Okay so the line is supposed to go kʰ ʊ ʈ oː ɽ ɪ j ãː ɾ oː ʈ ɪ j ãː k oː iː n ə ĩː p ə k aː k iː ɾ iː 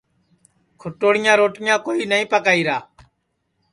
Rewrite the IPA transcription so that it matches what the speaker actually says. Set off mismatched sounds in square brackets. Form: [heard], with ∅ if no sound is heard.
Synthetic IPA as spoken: kʰ ʊ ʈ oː ɽ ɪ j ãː ɾ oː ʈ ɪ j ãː k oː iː n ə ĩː p ə k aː [∅] iː ɾ [aː]